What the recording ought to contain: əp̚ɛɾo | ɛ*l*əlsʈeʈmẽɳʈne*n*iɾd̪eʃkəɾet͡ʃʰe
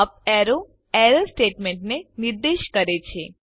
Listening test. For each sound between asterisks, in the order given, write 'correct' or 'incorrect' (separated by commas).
incorrect, correct